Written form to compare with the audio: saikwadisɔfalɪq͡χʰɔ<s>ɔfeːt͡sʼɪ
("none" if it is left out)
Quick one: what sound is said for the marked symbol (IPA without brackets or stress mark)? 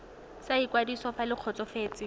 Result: t͡s